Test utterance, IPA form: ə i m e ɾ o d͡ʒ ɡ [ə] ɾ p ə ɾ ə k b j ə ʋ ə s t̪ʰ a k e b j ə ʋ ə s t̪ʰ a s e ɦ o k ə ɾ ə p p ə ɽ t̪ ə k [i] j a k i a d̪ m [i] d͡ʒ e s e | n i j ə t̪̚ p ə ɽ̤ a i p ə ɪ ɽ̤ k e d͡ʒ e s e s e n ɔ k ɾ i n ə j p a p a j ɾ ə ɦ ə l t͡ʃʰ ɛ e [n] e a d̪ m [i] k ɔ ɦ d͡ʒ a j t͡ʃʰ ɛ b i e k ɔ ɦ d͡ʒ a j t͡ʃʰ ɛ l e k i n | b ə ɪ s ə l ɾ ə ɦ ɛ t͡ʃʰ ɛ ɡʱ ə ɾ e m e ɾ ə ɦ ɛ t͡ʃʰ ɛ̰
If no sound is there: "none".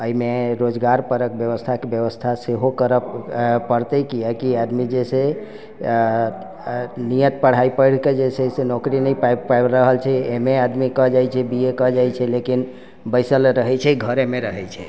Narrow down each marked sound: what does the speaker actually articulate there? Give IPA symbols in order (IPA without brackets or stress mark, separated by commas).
a, i, i, m, i